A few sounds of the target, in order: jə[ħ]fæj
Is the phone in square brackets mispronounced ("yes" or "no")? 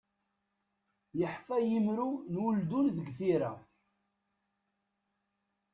no